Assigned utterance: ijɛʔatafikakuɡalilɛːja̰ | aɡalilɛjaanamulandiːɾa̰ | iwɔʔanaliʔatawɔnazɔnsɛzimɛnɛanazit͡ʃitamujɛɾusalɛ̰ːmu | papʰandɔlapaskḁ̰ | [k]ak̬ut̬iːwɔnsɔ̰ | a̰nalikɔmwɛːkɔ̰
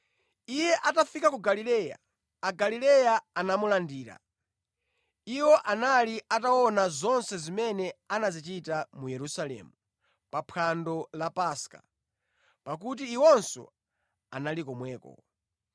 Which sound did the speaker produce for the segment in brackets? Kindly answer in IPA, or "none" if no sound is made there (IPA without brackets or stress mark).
p